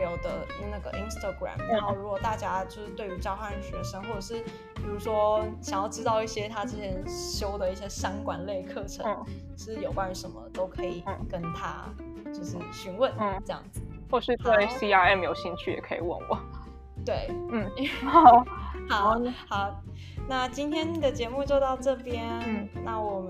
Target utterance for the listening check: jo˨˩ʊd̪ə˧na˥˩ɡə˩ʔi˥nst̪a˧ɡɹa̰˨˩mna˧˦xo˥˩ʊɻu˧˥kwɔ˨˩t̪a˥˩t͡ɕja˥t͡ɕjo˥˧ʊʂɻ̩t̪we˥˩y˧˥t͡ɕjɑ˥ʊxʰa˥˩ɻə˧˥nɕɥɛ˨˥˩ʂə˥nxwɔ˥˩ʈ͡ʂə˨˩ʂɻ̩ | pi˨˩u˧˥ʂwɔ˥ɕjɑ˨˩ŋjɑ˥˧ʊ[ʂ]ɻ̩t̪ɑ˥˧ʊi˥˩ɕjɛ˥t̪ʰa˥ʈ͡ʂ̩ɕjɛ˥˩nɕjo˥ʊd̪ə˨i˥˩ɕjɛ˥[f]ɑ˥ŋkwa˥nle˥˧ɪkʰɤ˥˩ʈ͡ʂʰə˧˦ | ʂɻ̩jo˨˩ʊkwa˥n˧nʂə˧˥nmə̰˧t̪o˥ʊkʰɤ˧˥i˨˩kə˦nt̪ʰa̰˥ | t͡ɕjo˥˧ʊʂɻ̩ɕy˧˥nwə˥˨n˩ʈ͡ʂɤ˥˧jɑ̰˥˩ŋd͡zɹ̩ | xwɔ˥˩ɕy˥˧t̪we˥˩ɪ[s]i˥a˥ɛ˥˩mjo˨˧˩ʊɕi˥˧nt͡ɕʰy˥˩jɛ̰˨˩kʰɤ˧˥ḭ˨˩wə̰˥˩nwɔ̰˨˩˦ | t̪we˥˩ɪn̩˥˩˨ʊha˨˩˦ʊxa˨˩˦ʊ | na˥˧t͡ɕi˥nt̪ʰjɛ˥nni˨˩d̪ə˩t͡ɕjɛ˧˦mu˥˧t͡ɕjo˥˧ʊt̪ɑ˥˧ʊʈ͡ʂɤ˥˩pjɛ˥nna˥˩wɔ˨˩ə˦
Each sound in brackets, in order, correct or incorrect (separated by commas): incorrect, incorrect, correct